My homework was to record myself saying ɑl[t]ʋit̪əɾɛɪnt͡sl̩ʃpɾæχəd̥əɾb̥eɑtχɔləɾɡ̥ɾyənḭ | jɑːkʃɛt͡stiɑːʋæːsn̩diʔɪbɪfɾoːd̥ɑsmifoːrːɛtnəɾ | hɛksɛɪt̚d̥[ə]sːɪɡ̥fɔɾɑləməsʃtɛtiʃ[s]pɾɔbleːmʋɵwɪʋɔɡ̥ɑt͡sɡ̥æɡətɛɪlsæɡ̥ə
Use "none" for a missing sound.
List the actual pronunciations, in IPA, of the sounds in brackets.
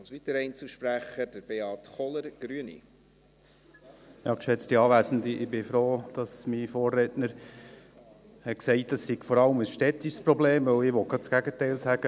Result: s, ɑ, s

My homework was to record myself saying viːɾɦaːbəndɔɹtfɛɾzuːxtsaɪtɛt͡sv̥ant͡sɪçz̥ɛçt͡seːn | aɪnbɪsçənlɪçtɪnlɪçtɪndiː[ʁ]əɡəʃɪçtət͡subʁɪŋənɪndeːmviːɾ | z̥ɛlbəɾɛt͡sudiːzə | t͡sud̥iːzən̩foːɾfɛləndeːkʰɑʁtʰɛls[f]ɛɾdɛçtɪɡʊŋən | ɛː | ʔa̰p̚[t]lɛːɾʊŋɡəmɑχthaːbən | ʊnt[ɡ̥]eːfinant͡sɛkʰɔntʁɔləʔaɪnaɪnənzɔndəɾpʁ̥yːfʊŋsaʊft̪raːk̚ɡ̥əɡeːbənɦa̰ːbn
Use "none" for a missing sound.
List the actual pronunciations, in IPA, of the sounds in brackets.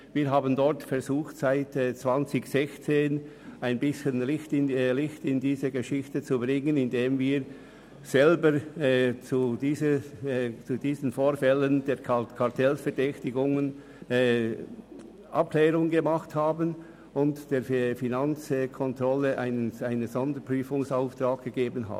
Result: z, f, k, d̥

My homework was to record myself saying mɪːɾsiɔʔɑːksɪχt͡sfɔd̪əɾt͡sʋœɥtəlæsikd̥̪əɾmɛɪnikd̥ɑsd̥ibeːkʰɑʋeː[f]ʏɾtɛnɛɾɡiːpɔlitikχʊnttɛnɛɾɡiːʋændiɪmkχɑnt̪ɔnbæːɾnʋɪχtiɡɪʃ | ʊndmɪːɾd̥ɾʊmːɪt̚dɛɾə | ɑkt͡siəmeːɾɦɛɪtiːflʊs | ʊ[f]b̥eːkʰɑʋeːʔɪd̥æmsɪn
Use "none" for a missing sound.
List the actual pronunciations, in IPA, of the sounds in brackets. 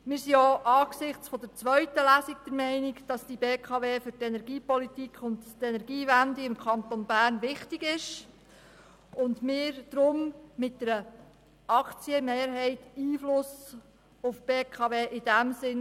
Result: f, f

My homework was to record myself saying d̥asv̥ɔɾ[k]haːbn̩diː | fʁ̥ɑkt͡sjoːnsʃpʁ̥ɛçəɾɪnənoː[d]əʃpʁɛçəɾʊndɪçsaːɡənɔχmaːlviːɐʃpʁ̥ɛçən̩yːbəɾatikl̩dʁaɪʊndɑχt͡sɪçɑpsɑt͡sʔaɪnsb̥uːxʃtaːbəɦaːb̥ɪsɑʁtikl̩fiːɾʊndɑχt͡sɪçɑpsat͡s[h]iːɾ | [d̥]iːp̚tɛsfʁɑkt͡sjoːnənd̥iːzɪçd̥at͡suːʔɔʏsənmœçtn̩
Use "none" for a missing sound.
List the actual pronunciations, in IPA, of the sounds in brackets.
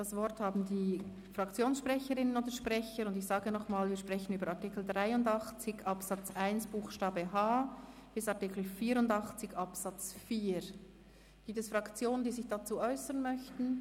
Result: t, d, f, ɡ̥

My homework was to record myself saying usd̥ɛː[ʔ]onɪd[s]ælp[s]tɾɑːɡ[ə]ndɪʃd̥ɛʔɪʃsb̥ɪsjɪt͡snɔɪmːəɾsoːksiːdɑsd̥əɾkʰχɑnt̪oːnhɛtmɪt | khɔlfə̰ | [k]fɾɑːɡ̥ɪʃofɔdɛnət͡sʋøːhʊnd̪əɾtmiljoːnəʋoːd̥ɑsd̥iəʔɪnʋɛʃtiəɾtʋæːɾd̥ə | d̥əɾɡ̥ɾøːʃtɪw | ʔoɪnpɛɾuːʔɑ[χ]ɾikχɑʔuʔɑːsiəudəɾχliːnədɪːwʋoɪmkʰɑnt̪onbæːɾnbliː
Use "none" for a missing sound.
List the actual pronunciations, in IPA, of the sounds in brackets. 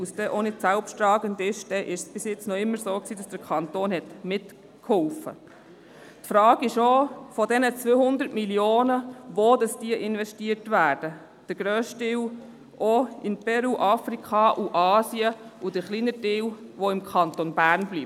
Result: ʔ, s, ʃ, ə, t, f

